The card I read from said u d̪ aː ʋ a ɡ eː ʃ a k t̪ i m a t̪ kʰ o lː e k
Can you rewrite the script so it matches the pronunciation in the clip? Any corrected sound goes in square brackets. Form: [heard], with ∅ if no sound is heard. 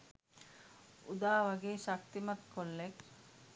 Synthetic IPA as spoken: u d̪ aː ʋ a ɡ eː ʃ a k t̪ i m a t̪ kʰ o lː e k